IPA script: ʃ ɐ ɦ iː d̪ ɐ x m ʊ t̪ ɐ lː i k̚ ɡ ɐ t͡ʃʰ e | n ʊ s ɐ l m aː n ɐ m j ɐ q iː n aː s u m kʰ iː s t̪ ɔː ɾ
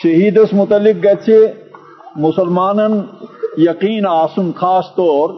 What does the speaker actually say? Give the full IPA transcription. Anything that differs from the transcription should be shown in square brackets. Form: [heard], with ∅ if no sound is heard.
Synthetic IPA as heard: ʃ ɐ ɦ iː d̪ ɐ [s] m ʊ t̪ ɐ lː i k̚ ɡ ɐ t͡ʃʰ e | [m] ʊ s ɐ l m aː n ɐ [n] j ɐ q iː n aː s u m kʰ [aː] s t̪ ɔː ɾ